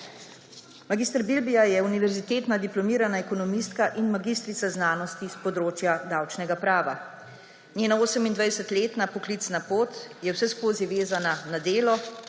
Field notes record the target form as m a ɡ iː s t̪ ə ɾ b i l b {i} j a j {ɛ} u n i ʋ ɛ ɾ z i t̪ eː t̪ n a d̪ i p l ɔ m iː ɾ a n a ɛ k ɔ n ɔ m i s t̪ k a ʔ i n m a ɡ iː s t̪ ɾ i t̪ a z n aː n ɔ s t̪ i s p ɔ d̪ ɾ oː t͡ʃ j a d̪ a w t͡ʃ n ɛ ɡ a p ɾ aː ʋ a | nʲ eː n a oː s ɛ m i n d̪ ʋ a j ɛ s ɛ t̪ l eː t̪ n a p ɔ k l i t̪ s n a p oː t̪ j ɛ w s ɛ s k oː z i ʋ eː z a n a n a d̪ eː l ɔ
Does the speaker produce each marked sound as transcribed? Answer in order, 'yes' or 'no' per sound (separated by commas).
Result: yes, yes